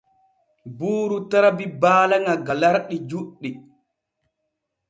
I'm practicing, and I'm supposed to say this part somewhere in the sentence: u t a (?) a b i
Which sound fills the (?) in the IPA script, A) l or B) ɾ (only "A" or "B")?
B